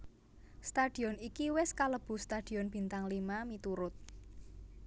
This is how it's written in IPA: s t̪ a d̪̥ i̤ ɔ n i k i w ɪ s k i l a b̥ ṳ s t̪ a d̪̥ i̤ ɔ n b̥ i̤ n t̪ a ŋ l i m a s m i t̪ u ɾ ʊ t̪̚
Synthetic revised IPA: s t̪ a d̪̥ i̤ ɔ n i k i w ɪ s k a l ə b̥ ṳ s t̪ a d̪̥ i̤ ɔ n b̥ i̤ n t̪ a ŋ l i m a m i t̪ u ɾ ʊ t̪̚